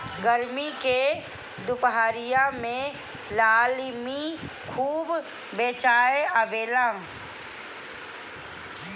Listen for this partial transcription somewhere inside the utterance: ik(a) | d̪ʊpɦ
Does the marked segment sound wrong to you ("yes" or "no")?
yes